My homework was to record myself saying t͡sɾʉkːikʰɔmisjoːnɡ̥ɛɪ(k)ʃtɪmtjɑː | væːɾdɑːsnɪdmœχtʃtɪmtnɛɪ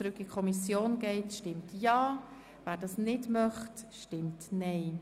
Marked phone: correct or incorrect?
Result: incorrect